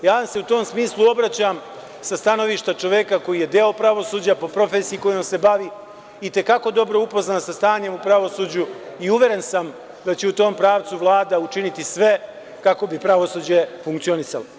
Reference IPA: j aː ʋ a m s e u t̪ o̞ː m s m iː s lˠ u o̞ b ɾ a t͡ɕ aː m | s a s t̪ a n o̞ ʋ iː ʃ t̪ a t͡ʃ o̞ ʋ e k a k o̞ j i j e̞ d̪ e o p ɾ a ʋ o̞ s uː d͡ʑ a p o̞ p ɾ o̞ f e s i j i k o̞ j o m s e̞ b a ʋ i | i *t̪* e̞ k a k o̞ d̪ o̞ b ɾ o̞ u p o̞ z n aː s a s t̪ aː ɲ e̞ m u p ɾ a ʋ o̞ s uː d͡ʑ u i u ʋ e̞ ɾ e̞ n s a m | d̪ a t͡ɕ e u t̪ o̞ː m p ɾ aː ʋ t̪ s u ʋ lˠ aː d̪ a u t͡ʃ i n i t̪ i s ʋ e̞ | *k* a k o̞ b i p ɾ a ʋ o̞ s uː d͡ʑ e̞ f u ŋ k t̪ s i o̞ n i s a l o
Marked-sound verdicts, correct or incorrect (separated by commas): correct, correct